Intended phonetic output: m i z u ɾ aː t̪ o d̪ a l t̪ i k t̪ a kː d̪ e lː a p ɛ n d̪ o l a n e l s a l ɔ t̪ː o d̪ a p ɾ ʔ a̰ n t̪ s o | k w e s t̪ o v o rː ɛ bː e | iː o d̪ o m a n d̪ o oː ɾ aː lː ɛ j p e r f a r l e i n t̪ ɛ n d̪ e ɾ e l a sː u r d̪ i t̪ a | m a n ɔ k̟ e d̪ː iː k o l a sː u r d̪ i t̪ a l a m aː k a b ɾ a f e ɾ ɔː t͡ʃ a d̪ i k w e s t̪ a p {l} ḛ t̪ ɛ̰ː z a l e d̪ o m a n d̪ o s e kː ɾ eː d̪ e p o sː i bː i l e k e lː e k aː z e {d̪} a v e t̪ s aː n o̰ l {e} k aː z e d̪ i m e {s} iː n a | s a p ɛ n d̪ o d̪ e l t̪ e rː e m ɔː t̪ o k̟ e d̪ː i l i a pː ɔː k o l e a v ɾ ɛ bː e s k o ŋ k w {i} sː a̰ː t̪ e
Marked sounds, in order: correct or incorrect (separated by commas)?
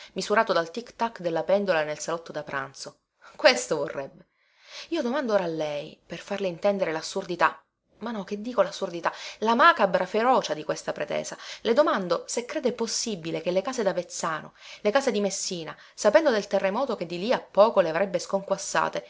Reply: incorrect, correct, correct, incorrect, incorrect